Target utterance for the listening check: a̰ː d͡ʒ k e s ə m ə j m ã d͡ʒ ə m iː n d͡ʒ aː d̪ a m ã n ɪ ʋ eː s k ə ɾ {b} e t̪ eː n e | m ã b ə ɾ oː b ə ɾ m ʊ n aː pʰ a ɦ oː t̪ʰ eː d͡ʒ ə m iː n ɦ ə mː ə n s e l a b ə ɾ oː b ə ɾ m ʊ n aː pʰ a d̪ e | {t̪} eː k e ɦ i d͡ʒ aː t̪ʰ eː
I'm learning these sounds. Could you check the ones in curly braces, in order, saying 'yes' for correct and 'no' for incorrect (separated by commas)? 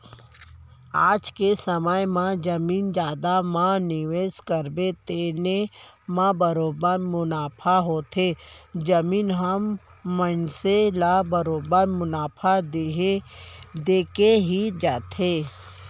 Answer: yes, no